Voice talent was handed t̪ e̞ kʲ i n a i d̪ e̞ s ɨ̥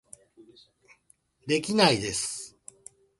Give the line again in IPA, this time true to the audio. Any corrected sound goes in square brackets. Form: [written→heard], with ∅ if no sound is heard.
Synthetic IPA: [t̪→d̪] e̞ kʲ i n a i d̪ e̞ s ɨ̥